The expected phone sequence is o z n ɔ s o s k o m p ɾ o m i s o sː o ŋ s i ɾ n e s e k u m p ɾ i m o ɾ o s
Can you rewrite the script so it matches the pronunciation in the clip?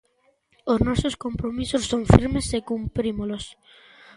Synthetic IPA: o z n ɔ s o s k o m p ɾ o m i s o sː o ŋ f i ɾ m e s e k u m p ɾ i m o l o s